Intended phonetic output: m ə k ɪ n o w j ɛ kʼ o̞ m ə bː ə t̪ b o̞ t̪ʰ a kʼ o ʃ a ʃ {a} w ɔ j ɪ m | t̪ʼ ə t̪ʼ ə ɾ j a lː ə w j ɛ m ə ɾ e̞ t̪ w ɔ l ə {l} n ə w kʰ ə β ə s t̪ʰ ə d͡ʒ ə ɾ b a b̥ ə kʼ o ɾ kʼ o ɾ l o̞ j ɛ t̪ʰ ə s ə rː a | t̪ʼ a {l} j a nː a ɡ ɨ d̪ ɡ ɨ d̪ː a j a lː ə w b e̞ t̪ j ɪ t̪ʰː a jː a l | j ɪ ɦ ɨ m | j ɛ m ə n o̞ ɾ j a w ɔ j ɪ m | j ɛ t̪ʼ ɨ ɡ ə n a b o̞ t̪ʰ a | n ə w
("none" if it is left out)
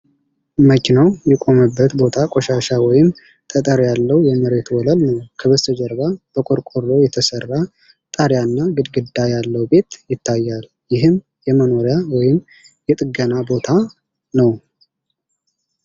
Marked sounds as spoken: a, l, ɾ

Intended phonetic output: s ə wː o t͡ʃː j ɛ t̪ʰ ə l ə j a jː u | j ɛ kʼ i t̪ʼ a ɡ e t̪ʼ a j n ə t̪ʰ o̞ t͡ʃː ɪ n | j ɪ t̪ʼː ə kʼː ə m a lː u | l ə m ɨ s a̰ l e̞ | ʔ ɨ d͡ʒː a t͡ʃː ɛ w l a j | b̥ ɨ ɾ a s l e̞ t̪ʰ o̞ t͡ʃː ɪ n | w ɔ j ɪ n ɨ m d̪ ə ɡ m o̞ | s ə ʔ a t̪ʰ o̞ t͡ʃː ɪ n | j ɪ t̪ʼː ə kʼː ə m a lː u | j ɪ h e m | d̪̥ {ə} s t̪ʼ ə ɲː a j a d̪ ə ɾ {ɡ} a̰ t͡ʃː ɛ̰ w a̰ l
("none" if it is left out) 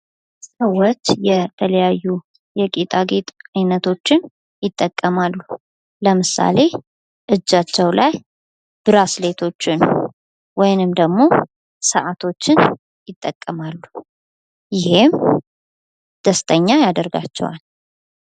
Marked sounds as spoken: ə, ɡ

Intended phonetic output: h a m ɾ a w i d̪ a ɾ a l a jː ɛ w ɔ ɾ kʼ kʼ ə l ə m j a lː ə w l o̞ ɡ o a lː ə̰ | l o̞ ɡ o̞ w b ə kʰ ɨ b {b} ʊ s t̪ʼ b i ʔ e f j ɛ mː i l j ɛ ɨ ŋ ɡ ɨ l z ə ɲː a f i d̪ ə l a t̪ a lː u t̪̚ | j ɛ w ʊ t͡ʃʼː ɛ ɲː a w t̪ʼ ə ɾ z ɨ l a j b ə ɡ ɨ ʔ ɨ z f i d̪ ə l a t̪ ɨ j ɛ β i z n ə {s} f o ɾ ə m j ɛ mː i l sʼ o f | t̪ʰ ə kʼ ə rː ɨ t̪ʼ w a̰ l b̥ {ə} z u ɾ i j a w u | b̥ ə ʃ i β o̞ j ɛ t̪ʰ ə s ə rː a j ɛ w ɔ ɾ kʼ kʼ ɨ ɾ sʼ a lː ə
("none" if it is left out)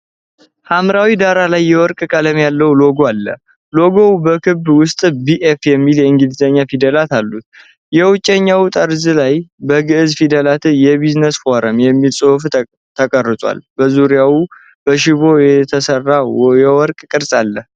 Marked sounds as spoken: w, s, ə

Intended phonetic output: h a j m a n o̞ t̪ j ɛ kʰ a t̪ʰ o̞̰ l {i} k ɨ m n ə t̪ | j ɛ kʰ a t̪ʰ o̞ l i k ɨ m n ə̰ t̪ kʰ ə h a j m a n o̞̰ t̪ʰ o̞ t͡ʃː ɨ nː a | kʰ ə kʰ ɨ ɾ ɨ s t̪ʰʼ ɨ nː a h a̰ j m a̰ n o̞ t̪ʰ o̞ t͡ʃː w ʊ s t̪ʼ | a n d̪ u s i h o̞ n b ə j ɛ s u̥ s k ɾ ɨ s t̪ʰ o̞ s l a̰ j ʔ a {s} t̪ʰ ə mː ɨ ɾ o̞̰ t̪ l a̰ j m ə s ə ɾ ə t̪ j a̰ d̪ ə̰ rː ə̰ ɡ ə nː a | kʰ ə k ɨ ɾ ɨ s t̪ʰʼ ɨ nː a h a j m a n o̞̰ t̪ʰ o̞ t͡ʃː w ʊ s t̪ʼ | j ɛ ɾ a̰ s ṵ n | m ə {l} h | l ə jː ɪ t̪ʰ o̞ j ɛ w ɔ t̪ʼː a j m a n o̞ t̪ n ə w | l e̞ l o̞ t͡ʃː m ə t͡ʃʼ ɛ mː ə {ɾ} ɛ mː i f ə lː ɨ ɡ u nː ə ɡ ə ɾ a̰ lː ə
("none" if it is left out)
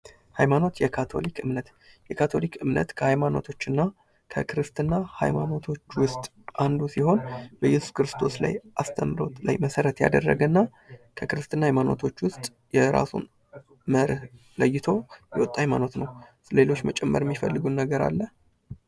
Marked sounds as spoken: i, s, ɾ, ɾ

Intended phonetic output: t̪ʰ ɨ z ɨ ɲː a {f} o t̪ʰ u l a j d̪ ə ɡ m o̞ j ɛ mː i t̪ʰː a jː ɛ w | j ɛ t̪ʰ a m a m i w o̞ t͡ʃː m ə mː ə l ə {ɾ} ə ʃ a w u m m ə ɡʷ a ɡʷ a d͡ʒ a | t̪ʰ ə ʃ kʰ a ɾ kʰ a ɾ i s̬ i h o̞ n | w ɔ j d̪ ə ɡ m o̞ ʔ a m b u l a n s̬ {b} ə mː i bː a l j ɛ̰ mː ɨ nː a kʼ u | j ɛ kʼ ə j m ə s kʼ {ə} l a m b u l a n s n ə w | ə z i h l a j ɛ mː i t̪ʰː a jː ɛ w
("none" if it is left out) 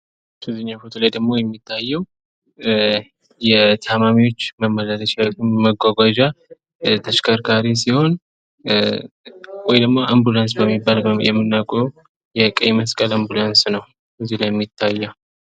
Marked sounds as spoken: f, l, b, ə

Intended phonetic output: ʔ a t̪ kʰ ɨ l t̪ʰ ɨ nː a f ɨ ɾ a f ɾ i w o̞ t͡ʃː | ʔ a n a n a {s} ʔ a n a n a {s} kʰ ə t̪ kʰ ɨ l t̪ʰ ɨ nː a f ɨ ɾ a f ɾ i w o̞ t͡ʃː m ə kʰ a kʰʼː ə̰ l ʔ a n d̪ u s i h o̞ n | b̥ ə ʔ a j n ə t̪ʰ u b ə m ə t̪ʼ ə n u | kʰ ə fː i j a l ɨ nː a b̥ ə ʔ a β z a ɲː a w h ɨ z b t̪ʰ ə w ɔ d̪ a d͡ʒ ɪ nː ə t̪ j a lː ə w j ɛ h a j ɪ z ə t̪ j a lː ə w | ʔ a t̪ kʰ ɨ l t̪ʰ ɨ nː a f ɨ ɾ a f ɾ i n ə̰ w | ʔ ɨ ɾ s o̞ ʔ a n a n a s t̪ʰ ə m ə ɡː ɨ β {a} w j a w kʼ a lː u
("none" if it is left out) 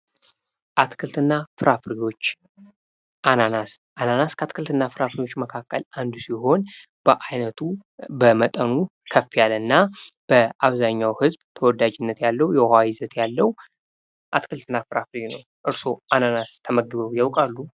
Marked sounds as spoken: s, s, ə

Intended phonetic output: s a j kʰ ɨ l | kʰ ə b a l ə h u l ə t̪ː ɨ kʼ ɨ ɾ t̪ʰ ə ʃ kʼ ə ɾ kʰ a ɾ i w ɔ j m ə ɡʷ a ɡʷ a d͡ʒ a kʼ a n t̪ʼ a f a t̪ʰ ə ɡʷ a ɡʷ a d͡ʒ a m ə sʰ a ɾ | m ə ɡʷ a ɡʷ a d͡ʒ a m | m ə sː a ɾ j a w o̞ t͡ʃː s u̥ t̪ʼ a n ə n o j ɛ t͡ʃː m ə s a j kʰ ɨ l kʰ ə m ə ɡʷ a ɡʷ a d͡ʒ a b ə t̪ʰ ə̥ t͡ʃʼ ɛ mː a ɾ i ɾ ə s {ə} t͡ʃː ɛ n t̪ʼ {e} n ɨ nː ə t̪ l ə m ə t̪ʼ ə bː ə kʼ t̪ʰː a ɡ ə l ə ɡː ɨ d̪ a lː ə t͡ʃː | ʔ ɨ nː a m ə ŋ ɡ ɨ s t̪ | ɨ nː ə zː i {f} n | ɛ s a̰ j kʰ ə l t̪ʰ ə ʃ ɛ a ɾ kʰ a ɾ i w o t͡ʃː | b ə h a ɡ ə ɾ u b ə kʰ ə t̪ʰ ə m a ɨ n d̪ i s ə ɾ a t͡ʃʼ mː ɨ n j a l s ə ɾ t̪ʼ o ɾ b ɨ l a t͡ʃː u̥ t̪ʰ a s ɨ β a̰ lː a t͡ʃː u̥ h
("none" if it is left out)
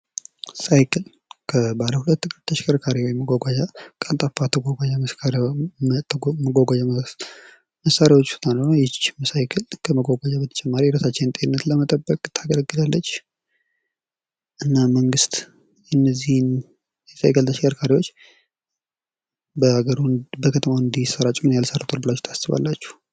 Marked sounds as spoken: a, e, h

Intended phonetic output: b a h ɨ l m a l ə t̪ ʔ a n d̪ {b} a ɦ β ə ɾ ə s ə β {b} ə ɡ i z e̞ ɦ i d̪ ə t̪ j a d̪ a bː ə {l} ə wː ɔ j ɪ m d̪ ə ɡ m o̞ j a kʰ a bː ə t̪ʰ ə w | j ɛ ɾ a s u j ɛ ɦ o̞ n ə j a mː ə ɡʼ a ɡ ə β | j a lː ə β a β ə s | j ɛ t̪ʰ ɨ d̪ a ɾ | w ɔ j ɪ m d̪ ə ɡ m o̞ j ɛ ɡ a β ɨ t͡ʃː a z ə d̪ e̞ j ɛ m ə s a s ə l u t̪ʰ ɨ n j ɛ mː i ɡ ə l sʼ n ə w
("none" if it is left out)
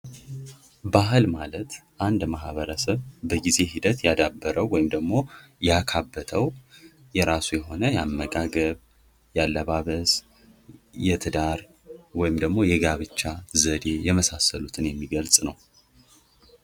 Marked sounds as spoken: m, b, ɾ

